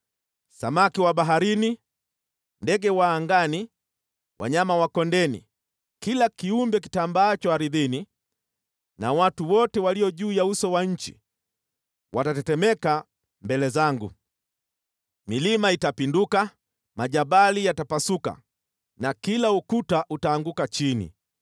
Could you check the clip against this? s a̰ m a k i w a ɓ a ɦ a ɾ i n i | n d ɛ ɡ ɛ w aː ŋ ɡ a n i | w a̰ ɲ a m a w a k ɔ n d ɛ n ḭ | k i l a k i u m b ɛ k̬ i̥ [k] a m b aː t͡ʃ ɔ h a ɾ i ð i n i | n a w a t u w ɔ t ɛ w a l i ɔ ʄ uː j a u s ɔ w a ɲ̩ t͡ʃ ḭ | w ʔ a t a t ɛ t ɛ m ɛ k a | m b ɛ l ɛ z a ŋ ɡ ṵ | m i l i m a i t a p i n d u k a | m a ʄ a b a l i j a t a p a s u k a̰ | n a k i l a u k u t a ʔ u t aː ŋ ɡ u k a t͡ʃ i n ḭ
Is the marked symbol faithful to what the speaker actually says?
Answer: no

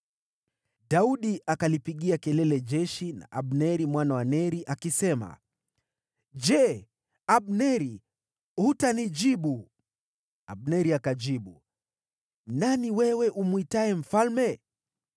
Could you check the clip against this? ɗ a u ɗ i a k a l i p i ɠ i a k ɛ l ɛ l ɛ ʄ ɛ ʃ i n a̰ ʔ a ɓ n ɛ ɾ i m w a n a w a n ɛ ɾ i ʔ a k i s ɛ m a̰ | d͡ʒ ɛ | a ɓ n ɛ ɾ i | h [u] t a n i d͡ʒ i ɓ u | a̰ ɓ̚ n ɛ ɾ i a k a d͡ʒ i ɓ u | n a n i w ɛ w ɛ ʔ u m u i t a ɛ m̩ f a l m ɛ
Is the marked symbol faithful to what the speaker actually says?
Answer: yes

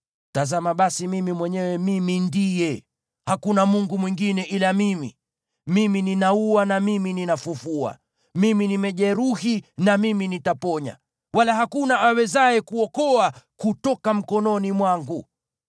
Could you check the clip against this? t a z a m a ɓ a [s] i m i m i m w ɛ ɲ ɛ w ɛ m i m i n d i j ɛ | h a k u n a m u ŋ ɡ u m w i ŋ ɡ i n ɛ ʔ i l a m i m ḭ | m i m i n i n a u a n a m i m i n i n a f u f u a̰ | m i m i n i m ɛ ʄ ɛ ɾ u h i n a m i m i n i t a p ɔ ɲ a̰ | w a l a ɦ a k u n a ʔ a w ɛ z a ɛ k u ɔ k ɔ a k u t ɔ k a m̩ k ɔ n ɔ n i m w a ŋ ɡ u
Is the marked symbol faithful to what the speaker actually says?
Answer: yes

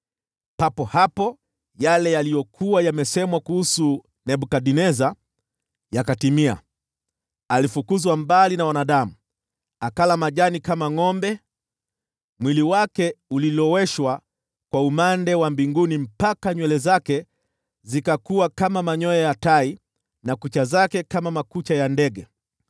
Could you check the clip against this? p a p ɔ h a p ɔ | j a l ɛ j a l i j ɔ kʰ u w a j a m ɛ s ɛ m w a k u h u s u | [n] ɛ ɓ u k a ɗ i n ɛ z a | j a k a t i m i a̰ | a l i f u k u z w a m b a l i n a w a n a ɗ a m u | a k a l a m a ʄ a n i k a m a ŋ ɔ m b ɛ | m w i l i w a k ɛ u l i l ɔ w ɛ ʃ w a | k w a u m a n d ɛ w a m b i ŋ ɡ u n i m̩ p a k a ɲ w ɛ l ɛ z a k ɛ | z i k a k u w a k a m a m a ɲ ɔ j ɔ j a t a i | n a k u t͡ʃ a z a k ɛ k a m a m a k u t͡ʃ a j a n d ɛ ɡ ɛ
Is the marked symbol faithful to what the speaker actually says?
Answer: yes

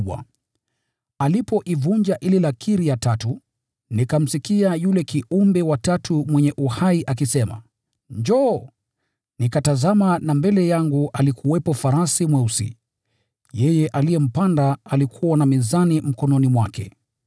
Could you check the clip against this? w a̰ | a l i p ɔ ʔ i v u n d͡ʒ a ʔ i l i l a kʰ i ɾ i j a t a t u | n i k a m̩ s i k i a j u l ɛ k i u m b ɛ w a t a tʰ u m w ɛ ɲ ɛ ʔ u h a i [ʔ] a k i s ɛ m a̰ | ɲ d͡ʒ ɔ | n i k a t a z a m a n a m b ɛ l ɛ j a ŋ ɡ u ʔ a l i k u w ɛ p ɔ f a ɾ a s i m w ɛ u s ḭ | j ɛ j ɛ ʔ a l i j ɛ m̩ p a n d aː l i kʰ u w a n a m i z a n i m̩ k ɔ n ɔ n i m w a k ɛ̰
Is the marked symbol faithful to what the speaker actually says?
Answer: yes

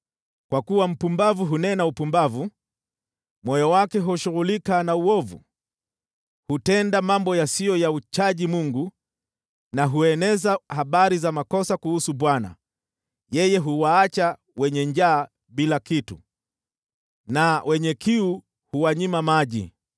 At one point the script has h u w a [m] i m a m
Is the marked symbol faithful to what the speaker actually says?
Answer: no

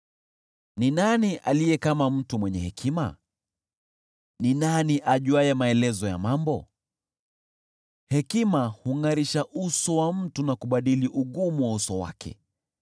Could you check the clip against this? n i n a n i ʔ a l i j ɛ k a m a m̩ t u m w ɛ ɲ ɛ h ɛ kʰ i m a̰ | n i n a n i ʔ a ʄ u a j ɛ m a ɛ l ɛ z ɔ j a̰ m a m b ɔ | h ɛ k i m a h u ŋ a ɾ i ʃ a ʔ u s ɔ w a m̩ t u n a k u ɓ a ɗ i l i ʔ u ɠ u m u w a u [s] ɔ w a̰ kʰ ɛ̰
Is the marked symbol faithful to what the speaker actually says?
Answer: yes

